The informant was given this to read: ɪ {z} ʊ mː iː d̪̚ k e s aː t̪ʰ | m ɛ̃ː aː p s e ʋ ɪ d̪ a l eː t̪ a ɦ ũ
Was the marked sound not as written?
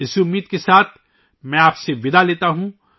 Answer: yes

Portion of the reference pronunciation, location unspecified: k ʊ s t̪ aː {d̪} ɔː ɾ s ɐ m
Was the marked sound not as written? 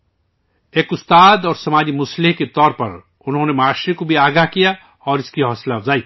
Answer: no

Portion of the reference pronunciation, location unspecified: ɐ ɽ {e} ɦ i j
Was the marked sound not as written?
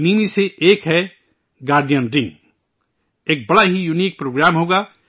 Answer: yes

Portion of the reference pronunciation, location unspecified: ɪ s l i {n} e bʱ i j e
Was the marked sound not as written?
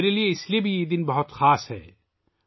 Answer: yes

